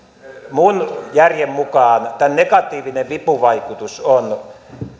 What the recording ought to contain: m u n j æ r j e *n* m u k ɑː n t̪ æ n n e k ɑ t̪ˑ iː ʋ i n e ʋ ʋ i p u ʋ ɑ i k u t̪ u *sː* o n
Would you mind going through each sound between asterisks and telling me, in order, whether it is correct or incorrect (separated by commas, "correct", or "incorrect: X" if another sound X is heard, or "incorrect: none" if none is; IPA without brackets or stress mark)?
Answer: incorrect: m, incorrect: s